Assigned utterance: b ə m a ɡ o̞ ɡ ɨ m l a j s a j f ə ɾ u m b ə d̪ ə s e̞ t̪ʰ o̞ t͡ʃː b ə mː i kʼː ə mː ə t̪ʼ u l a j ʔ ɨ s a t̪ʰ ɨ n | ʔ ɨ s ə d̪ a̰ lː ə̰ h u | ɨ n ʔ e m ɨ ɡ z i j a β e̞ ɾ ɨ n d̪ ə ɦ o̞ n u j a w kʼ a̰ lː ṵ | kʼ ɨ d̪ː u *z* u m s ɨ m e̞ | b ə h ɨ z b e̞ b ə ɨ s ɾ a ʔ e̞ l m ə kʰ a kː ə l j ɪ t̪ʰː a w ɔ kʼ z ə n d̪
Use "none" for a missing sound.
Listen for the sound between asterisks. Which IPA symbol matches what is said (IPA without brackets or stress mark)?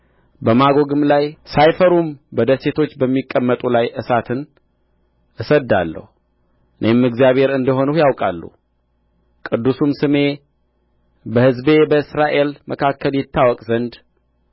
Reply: s